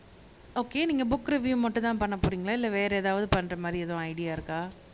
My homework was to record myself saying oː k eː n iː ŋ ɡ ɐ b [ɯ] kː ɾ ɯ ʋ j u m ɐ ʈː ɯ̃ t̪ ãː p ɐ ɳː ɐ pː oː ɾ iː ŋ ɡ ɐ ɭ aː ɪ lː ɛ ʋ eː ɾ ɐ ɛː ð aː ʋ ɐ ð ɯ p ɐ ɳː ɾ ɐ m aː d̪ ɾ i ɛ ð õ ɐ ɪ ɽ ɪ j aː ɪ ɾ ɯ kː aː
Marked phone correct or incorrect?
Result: incorrect